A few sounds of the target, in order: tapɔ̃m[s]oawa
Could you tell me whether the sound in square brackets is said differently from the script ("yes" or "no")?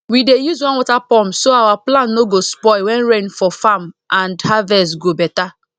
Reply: no